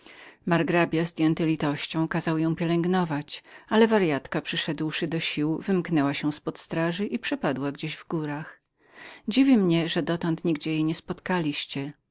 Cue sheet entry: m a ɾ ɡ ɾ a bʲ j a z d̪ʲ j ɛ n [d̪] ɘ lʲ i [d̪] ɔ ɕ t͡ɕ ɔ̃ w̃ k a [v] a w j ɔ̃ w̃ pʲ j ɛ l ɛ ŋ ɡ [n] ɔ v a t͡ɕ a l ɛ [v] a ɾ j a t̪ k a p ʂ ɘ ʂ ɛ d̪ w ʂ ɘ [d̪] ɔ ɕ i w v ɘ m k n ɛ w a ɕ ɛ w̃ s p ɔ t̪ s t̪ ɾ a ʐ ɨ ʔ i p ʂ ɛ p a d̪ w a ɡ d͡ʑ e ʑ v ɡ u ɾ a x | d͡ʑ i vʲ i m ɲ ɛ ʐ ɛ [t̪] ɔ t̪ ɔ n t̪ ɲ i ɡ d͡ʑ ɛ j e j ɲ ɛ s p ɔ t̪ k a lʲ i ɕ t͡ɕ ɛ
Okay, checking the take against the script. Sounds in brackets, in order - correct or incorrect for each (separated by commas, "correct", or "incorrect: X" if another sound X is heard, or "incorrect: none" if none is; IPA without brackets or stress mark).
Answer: incorrect: t̪, incorrect: t̪, incorrect: z, correct, correct, correct, incorrect: d̪